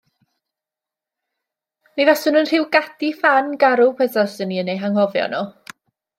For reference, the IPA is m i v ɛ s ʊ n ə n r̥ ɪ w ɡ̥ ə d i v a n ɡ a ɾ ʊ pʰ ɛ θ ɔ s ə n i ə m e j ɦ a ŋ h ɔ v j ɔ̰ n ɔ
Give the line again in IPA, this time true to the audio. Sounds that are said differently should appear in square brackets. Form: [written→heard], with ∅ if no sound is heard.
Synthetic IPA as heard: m i v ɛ s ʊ n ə n r̥ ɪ w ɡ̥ [ə→a] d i [v→f] a n ɡ a ɾ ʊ pʰ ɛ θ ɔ s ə n i ə [m→n] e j ɦ a ŋ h ɔ v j ɔ̰ n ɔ